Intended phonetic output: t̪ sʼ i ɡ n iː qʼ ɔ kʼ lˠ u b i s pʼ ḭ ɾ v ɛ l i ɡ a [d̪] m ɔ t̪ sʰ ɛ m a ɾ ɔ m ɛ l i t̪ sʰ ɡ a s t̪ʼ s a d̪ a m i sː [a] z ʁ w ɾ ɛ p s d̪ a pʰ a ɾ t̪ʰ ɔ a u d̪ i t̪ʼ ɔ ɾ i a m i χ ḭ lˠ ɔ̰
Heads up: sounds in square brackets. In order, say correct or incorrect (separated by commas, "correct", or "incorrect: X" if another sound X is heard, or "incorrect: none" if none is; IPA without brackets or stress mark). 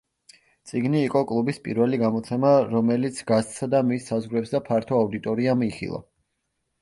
incorrect: none, correct